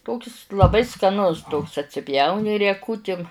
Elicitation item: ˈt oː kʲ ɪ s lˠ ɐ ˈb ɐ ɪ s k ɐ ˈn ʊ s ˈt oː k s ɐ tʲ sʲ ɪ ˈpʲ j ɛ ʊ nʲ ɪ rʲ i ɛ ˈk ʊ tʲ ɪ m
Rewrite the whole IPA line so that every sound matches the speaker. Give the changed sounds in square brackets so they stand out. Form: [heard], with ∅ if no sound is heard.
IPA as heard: ˈt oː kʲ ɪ s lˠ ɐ ˈb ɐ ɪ s k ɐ ˈn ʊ s ˈt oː k s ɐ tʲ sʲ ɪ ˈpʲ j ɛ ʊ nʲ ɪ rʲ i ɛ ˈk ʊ tʲ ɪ m